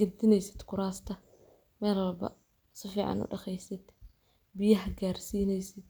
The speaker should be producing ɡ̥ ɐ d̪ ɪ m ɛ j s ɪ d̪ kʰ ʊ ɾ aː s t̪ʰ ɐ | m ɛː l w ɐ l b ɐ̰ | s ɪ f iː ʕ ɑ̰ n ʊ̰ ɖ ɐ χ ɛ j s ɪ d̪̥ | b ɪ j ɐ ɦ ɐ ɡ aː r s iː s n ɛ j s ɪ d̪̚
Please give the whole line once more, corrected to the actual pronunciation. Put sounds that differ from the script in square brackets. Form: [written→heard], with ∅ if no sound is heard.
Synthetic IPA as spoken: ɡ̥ ɐ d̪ ɪ [m→n] ɛ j s ɪ d̪ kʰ ʊ ɾ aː s t̪ʰ ɐ | m ɛː l w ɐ l b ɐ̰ | s ɪ f iː ʕ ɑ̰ n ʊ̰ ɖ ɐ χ ɛ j s ɪ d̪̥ | b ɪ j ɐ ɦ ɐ ɡ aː r s iː [s→∅] n ɛ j s ɪ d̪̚